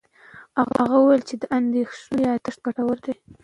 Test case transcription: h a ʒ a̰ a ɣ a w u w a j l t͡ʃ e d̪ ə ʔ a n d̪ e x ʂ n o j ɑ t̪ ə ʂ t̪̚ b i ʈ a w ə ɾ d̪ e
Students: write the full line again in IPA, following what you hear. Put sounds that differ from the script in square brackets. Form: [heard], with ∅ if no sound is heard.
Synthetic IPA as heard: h a [ɣ] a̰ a ɣ a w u w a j l t͡ʃ e d̪ ə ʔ a n d̪ e x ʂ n o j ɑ t̪ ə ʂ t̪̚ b [a] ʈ a w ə ɾ d̪ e